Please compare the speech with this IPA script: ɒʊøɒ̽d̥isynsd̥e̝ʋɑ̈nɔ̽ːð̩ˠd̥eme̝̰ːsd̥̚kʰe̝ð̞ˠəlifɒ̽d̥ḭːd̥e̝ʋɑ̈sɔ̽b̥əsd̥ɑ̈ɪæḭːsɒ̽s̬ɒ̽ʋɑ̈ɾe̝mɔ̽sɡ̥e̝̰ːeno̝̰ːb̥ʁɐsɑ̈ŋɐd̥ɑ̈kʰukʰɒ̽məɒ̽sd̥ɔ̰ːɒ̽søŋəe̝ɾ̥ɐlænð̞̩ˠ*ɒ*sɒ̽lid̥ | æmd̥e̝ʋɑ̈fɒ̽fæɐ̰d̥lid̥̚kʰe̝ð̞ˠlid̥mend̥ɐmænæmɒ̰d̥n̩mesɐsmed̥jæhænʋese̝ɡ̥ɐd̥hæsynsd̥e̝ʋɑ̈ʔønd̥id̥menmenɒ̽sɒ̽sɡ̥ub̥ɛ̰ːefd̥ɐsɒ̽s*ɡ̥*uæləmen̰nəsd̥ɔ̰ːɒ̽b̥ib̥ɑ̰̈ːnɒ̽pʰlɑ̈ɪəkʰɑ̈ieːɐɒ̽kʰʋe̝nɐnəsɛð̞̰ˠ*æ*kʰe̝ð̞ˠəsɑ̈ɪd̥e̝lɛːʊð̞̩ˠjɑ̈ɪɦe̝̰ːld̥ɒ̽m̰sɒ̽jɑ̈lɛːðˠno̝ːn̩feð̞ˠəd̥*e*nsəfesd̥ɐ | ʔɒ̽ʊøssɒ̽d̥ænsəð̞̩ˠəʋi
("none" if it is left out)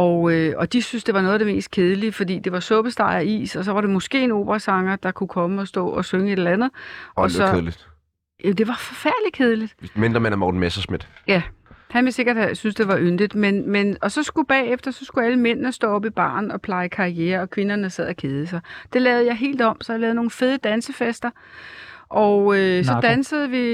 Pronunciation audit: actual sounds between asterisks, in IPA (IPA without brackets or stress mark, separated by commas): ɒ, ɡ̥, æ, æ